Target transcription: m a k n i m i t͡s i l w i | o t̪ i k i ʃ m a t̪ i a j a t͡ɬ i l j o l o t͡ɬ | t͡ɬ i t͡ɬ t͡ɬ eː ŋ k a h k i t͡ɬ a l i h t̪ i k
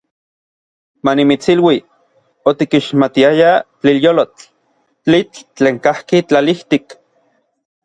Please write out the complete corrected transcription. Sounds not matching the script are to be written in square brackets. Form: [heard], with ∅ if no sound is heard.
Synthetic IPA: m a [∅] n i m i t͡s i l w i | o t̪ i k i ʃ m a t̪ i a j a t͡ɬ i l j o l o t͡ɬ | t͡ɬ i t͡ɬ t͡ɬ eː ŋ k a h k i t͡ɬ a l i h t̪ i k